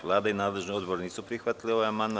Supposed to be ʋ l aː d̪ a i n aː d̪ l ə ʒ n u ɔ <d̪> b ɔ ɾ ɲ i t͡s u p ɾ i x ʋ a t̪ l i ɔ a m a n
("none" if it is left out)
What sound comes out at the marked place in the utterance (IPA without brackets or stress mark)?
d̪